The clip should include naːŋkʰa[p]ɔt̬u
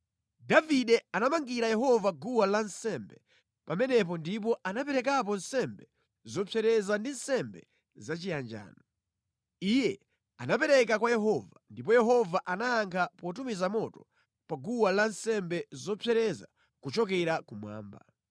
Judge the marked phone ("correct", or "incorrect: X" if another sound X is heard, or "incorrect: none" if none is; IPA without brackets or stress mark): correct